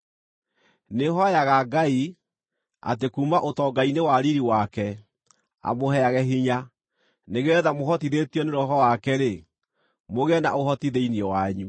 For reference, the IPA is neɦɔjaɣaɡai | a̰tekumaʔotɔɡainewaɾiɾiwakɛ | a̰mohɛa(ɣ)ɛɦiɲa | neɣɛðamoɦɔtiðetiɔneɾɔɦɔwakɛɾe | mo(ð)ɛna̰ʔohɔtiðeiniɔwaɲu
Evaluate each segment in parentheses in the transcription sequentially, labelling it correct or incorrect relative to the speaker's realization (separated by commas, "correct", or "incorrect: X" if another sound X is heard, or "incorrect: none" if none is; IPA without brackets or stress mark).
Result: correct, incorrect: ɣ